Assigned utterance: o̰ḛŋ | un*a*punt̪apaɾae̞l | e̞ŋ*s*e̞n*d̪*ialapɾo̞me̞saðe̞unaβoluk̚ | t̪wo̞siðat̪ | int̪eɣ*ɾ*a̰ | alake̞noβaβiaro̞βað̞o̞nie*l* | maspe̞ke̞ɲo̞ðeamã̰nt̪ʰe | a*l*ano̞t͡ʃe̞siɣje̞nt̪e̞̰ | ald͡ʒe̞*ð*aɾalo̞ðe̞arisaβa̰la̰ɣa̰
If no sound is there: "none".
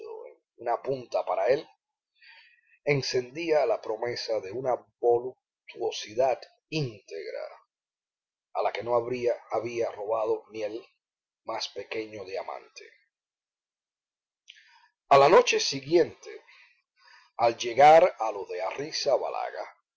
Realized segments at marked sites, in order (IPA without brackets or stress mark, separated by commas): a, s, d̪, ɾ, l, l, ɣ